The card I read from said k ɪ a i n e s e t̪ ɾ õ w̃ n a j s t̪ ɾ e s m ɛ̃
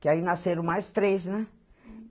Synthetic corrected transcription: k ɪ a i n a s e ɾ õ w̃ m a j s t̪ ɾ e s n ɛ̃